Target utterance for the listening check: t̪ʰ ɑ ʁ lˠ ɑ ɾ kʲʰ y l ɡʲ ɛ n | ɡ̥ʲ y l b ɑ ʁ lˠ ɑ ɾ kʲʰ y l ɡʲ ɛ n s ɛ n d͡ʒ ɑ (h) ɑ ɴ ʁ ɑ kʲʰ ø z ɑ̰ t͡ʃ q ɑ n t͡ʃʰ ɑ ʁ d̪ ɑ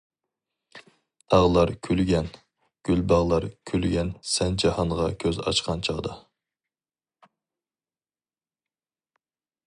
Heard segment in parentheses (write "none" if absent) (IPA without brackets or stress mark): h